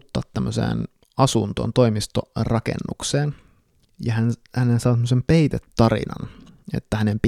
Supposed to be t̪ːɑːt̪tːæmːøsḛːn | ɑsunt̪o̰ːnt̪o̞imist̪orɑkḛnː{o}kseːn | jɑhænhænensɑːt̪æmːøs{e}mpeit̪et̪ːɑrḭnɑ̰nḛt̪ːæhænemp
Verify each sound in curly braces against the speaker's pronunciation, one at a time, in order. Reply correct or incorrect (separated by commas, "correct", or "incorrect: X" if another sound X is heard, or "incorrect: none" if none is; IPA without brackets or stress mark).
incorrect: u, correct